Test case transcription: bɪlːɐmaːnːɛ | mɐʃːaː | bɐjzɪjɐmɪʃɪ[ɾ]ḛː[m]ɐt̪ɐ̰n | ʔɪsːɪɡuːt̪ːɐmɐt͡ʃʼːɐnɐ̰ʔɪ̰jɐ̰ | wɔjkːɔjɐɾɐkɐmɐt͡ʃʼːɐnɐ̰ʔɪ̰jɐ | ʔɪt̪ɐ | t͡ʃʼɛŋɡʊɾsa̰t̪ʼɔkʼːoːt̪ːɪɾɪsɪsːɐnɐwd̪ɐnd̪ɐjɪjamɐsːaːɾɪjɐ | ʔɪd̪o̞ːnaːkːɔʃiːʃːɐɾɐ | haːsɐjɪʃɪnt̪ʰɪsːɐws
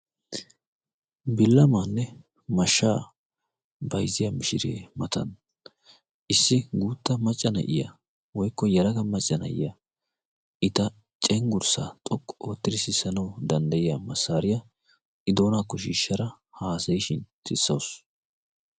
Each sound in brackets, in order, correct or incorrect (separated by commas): correct, correct